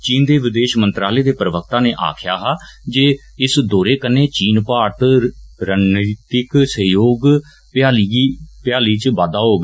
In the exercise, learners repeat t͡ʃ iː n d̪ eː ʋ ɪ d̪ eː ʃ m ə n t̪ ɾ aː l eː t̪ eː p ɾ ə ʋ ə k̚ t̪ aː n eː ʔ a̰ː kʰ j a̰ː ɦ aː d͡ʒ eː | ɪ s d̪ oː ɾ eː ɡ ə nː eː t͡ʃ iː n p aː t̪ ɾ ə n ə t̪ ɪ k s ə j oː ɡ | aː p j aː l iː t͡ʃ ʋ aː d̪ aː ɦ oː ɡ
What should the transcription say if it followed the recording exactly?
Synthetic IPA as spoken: t͡ʃ iː n d̪ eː ʋ ɪ d̪ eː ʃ m ə n t̪ ɾ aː l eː d̪ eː p ɾ ə ʋ ə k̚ t̪ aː n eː ʔ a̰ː kʰ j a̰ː ɦ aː d͡ʒ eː | ɪ s d̪ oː ɾ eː k ə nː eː t͡ʃ iː n p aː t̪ ɾ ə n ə t̪ ɪ k s ə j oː ɡ | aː p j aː l iː t͡ʃ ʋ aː d̪ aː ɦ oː ɡ